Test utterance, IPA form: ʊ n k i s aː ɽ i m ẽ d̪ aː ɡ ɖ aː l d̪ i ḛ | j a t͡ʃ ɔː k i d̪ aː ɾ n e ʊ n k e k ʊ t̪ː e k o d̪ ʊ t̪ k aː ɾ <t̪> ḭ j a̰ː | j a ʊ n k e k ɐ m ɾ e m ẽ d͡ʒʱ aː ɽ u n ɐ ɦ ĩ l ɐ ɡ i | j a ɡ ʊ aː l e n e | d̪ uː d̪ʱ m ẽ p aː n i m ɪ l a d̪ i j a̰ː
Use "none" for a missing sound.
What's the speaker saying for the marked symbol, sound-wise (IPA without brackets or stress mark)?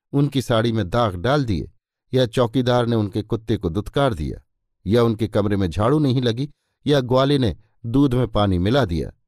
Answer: d̪